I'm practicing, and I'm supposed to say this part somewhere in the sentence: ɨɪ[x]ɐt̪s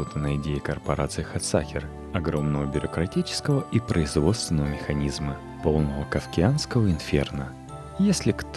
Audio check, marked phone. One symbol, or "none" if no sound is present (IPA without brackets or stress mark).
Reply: x